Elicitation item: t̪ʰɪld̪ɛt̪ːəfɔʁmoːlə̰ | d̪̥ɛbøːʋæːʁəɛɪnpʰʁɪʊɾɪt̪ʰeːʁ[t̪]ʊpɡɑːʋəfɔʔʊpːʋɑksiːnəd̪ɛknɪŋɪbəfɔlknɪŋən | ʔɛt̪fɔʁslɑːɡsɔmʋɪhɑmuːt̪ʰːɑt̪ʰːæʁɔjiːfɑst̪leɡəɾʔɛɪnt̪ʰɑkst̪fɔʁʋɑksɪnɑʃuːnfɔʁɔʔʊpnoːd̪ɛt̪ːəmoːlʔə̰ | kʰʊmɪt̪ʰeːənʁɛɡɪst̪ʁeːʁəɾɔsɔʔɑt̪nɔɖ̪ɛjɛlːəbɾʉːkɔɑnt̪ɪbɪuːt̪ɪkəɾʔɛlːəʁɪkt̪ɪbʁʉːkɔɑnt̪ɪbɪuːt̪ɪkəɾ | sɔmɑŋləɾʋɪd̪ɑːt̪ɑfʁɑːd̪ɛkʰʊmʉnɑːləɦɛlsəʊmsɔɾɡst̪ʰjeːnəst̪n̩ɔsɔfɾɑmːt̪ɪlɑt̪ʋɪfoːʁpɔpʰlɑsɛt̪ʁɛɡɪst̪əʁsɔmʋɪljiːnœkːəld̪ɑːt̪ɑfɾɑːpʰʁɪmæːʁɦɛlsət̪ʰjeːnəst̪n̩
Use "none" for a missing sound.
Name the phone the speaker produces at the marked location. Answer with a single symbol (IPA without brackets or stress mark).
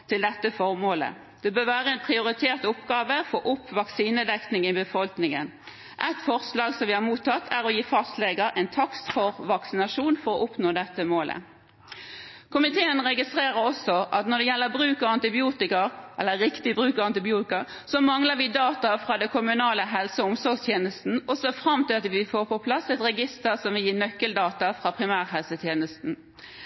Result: t̪